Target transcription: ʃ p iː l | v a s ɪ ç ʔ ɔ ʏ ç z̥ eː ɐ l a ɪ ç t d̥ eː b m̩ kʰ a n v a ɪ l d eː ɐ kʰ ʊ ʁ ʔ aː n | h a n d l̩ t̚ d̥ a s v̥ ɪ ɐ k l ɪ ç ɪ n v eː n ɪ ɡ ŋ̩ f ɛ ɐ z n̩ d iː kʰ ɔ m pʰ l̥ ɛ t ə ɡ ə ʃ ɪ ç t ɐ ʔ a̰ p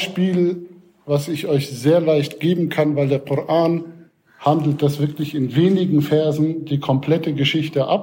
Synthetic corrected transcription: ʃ p iː l | v a s ɪ ç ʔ ɔ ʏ ç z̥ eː ɐ l a ɪ ç t ɡ̥ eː b m̩ kʰ a n v a ɪ l d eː ɐ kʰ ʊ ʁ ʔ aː n | h a n d l̩ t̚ d̥ a s v̥ ɪ ɐ k l ɪ ç ɪ n v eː n ɪ ɡ ŋ̩ f ɛ ɐ z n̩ d iː kʰ ɔ m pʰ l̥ ɛ t ə ɡ ə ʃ ɪ ç t ə ʔ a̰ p